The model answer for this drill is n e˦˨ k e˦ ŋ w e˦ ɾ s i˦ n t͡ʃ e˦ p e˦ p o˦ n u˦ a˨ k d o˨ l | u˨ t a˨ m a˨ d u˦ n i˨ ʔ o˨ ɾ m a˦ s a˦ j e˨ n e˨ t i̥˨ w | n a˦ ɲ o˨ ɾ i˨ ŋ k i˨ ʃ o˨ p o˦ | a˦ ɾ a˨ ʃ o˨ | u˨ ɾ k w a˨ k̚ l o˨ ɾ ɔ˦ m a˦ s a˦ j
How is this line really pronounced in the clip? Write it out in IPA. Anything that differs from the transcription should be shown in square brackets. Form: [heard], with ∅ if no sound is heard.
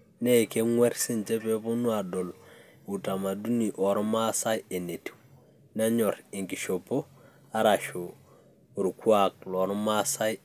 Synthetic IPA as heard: n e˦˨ k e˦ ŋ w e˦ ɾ s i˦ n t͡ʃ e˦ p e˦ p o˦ n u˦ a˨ [∅] d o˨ l | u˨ t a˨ m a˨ d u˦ n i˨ ʔ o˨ ɾ m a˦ s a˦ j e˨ n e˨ t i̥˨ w | n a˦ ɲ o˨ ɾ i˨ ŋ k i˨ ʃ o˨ p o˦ | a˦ ɾ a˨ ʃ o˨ | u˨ ɾ k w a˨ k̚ l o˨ ɾ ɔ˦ m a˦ s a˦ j

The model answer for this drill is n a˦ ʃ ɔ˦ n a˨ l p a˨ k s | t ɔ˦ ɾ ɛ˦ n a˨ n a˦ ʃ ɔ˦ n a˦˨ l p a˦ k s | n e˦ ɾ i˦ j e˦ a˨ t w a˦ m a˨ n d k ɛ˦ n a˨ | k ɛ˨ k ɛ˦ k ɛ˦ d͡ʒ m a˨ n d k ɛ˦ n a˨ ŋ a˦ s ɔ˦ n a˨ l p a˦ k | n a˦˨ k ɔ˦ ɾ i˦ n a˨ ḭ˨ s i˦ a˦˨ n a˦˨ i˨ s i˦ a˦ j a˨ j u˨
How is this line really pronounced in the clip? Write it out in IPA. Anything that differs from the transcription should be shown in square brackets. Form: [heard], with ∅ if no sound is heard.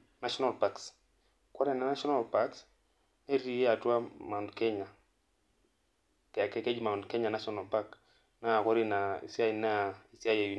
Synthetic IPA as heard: n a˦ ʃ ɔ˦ n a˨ l p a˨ k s | [k] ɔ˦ ɾ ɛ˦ n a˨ n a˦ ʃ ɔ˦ n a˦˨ l p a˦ k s | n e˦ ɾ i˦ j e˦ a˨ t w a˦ m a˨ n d k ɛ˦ [ɲ] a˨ | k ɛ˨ k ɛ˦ k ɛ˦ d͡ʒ m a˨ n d k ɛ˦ [ɲ] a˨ [n] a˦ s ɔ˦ n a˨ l p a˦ k | n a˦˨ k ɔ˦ ɾ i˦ n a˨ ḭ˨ s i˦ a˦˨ n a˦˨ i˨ s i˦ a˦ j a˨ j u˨

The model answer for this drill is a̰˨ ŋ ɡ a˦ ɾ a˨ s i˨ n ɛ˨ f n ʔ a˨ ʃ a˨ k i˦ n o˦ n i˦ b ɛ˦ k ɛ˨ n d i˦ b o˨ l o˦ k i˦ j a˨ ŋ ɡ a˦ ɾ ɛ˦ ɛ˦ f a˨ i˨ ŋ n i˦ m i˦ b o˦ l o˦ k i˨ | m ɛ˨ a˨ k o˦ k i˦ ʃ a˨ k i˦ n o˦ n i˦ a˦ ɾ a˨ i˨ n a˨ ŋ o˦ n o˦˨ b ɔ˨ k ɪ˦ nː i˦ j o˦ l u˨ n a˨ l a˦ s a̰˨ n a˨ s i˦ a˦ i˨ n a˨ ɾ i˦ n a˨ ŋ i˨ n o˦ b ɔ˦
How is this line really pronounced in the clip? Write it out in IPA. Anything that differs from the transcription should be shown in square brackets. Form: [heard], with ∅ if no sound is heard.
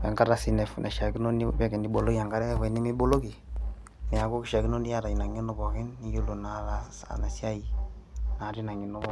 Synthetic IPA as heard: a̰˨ ŋ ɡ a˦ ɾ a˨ s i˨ n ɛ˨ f n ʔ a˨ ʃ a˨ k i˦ n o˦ n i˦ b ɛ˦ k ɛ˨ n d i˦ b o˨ l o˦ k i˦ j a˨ ŋ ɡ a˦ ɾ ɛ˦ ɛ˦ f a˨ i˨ [∅] n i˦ m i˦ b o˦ l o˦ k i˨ | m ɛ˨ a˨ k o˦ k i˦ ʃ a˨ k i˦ n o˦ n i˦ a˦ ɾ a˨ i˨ n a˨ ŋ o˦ n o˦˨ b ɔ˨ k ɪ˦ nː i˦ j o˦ l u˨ n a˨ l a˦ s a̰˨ n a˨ s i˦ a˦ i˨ n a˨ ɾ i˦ n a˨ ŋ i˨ n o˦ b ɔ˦

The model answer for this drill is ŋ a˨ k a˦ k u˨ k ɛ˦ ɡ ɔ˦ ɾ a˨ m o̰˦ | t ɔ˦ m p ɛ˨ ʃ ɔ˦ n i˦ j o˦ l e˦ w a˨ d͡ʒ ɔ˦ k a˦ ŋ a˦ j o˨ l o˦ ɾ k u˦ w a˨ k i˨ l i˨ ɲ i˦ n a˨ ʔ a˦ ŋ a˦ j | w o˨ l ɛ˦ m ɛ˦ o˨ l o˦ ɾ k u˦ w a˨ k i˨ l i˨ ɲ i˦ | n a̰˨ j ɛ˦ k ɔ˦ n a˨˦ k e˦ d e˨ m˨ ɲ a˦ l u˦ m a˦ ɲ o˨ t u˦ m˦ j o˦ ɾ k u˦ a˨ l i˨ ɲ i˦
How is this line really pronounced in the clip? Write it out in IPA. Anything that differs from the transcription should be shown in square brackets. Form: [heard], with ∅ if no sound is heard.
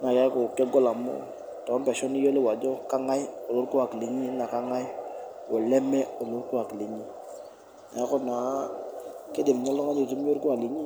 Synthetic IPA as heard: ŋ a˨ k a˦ k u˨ k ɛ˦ ɡ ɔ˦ [l] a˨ m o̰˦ | t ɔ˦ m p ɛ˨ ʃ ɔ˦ n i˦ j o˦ l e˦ w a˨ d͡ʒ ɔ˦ k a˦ ŋ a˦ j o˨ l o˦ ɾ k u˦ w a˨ k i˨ l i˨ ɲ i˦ n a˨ [k] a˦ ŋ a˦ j | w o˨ l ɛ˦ m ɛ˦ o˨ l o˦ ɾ k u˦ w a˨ k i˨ l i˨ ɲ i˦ | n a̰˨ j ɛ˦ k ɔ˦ n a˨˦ k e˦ d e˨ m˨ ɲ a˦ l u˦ [ŋ] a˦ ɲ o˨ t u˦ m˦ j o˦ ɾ k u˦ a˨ l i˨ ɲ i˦

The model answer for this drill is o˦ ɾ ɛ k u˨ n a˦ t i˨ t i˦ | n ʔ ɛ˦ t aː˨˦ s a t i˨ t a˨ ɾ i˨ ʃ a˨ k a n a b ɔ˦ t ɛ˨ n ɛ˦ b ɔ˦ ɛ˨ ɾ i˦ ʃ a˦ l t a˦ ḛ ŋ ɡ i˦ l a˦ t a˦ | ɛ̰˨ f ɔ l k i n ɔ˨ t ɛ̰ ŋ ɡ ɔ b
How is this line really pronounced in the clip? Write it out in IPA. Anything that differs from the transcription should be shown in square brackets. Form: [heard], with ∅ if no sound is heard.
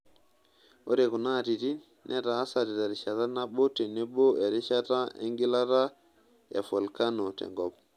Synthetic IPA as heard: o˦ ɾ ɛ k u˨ n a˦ t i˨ t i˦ | n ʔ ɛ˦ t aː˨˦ s a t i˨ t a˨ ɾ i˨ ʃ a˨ [t] a n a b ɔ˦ t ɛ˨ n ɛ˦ b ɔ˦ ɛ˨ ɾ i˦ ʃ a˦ [∅] t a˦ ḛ ŋ ɡ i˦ l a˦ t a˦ | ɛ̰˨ f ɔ l k [a] n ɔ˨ t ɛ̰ ŋ ɡ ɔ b

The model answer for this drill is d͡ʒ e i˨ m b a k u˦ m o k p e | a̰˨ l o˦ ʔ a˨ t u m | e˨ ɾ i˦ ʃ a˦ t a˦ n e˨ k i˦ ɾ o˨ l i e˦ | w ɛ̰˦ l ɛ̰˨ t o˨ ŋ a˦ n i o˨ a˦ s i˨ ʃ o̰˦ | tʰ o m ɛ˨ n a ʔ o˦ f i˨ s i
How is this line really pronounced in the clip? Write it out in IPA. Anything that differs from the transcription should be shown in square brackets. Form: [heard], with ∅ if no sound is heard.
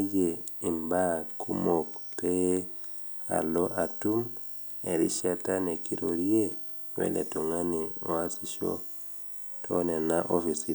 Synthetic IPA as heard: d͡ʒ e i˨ m b a k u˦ m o k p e | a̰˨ l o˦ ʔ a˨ t u m | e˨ ɾ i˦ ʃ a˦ t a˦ n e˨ k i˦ ɾ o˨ [ɾ] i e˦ | w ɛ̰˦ l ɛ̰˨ t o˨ ŋ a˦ n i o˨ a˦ s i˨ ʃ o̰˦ | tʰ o [n] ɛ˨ n a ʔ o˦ f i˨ s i

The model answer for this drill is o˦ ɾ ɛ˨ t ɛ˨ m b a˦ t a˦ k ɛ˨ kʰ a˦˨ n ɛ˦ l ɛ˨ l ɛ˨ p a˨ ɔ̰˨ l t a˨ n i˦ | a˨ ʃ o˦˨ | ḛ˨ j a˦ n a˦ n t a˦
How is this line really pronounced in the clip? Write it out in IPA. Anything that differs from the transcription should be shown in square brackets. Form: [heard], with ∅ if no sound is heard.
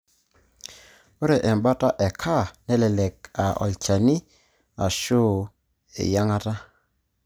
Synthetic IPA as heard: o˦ ɾ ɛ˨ [ʔ] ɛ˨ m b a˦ t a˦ [ʔ] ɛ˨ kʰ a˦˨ n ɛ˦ l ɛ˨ l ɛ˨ [k] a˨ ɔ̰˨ l [t͡ʃ] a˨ n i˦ | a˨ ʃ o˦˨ | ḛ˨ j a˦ [ŋ] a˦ [∅] t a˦

